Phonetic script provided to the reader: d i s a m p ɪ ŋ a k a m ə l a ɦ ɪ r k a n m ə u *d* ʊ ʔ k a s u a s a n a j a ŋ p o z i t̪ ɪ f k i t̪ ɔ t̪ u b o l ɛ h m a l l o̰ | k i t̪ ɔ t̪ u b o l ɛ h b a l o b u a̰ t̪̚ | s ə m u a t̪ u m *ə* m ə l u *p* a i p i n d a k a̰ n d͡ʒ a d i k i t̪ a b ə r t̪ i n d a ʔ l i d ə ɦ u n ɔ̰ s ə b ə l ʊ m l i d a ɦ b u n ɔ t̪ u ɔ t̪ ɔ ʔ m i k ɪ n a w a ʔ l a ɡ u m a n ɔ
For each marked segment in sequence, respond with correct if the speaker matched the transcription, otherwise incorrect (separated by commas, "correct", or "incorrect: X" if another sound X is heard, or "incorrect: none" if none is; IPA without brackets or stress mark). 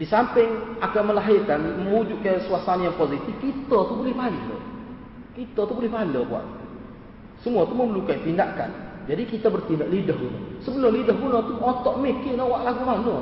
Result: incorrect: d͡ʒ, correct, incorrect: k